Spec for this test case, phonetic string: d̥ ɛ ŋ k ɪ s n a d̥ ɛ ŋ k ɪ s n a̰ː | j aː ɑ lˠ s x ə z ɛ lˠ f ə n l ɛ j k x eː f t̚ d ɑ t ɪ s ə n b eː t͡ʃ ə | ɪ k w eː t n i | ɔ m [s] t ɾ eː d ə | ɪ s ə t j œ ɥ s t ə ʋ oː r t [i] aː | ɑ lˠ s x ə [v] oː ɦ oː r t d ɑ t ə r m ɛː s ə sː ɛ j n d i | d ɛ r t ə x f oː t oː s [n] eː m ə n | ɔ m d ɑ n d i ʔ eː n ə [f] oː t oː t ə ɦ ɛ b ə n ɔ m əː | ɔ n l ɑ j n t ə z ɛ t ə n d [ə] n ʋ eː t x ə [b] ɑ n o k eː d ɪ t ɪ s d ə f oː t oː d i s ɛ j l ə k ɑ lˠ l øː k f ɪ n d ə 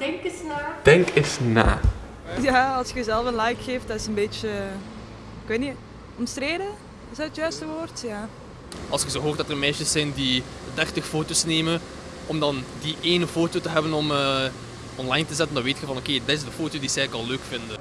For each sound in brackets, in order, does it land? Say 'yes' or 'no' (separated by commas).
yes, no, no, yes, yes, no, no